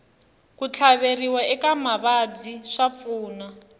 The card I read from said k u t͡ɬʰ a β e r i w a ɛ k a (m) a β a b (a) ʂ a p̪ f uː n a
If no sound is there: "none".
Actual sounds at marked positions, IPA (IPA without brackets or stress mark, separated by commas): m, i